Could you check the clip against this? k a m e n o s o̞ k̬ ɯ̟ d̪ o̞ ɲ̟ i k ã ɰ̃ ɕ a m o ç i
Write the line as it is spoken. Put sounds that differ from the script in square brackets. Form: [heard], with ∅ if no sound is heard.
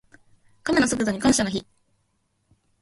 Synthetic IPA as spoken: k a m e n o s o̞ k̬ ɯ̟ d̪ o̞ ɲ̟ i k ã ɰ̃ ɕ a [n] o ç i